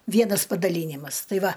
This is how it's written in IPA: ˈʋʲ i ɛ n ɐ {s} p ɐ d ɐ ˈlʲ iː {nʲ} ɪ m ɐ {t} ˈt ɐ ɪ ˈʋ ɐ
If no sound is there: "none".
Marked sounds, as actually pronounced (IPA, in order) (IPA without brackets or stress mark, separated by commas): s, nʲ, s